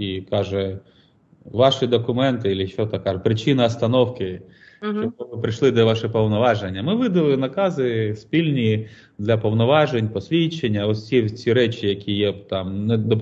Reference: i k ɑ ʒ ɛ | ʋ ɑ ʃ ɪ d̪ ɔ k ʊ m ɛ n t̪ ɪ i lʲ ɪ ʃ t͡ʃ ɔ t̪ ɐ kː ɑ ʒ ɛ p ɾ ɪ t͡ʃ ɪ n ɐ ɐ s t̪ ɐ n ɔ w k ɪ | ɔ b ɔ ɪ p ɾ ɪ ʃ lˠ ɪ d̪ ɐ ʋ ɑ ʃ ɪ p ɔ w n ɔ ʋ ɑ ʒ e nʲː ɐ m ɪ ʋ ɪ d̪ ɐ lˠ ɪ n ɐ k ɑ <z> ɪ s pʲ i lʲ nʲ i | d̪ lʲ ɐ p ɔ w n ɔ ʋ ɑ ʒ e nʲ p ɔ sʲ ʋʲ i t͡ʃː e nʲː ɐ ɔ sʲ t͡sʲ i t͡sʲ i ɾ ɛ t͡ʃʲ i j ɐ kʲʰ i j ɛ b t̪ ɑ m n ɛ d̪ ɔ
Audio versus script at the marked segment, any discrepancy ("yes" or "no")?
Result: no